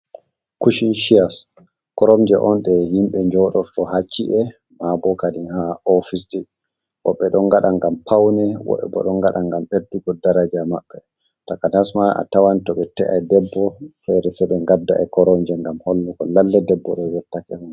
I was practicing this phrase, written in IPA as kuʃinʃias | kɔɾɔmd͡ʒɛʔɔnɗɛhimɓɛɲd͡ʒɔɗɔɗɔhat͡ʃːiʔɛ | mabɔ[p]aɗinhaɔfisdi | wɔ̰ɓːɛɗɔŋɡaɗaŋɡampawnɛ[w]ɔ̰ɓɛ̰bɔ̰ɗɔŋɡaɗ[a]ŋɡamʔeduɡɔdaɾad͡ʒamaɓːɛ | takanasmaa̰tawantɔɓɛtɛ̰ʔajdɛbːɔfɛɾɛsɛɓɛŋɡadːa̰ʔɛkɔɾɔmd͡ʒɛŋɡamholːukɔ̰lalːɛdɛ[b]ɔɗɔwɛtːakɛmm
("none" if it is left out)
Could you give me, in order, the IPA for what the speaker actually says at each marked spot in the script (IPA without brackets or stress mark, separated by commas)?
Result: k, w, a, bː